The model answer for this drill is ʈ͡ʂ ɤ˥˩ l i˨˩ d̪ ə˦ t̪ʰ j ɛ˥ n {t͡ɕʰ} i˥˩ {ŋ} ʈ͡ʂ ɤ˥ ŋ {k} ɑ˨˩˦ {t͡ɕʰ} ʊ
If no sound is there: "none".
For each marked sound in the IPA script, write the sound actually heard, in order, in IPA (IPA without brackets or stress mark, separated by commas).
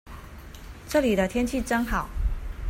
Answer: t͡ɕʰ, none, x, none